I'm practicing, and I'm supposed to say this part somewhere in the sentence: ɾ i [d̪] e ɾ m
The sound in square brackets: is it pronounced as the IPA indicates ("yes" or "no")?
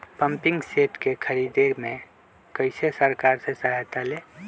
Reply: yes